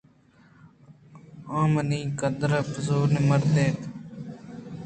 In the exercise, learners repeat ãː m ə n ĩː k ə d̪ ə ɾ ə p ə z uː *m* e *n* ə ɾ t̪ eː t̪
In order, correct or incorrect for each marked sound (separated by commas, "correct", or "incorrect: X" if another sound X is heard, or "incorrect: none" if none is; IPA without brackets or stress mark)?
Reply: incorrect: n, incorrect: m